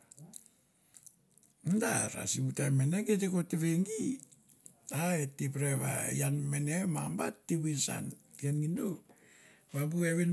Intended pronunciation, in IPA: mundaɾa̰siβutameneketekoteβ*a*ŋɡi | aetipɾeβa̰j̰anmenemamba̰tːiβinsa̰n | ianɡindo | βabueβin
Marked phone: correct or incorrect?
incorrect: e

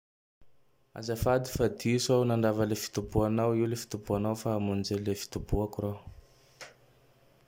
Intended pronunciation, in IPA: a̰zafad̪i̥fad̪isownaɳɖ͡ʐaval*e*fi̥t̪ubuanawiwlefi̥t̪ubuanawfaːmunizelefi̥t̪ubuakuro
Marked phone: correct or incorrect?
correct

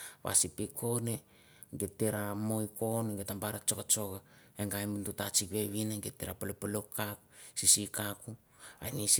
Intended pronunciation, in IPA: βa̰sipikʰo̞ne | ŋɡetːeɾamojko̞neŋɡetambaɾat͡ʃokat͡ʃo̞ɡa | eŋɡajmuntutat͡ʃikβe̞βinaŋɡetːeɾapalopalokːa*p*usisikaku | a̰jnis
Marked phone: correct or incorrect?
incorrect: k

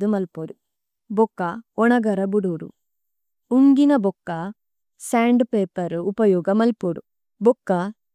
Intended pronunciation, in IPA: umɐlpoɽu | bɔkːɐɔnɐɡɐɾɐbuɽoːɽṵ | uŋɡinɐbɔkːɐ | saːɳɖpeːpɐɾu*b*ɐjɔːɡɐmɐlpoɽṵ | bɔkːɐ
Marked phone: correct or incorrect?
incorrect: p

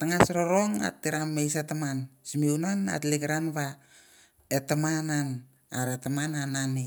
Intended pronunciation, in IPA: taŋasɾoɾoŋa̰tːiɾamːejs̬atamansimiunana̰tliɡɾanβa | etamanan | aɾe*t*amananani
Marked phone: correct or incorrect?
correct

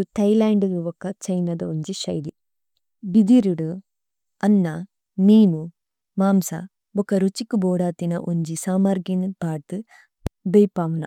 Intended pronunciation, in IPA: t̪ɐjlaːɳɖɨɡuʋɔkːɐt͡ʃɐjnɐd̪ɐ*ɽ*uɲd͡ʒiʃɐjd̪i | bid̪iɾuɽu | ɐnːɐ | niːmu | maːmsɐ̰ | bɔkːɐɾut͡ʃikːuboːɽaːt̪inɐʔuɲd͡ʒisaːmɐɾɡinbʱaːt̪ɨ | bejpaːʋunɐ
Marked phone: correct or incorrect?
incorrect: none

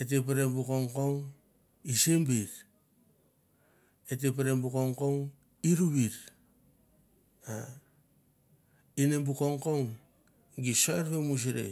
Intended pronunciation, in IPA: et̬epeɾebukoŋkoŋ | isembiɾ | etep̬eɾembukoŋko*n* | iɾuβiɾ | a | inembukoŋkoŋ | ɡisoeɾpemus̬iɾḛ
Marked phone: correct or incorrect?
incorrect: ŋ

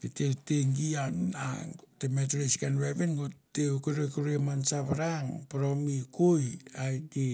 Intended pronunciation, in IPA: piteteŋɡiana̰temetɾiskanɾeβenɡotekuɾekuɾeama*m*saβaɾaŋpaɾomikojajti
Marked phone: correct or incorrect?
incorrect: n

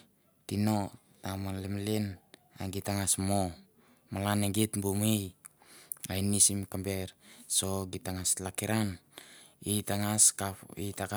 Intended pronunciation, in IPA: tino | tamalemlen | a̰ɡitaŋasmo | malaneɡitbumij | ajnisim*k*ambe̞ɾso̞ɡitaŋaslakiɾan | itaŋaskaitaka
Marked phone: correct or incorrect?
correct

